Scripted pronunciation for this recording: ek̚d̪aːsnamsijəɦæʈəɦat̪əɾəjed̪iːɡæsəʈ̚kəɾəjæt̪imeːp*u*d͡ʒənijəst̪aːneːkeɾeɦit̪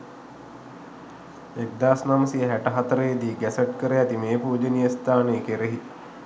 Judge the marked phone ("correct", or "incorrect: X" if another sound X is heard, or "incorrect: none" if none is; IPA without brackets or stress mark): incorrect: uː